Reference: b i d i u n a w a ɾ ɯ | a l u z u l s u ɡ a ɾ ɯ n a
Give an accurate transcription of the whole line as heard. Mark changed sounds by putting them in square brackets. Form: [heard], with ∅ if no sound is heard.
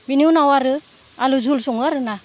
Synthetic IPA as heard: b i [n] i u n a w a ɾ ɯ | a l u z u l s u [ŋ] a ɾ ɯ n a